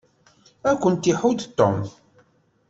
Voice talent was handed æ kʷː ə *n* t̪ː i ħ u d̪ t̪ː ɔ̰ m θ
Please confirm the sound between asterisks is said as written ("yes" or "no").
yes